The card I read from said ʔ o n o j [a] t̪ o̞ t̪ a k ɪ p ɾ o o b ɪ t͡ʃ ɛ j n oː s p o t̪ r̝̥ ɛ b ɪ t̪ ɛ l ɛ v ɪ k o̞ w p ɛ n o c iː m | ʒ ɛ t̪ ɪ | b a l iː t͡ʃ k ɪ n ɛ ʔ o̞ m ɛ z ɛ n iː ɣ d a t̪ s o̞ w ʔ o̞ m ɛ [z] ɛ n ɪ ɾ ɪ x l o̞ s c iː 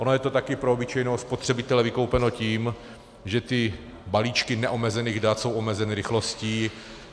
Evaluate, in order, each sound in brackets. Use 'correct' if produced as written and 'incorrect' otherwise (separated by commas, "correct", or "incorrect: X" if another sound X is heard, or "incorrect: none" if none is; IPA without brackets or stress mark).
incorrect: ɛ, correct